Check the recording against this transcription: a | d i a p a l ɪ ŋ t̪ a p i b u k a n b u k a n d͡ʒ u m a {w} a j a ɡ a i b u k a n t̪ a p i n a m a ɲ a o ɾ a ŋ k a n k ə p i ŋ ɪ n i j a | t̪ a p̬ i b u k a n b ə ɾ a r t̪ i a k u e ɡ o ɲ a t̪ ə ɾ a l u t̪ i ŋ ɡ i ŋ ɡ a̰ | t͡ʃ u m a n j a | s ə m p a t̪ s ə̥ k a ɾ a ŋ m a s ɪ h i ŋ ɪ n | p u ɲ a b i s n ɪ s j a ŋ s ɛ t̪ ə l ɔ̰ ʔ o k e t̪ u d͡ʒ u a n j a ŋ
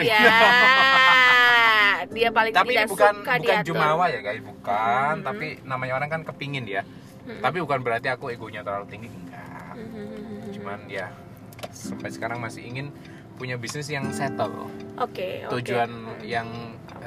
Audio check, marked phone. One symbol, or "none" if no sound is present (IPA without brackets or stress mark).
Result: w